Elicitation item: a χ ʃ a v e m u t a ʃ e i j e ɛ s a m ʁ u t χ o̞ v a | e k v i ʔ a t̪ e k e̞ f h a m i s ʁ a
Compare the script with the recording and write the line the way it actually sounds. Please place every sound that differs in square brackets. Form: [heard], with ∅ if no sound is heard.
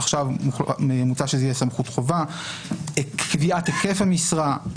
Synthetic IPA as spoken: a χ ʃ a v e m u [t͡s] a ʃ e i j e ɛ s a m [χ] u t χ o̞ v a | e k v i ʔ a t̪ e k e̞ f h a m i s ʁ a